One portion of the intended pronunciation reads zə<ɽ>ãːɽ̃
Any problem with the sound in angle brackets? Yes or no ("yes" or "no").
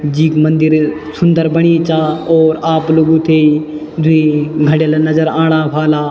yes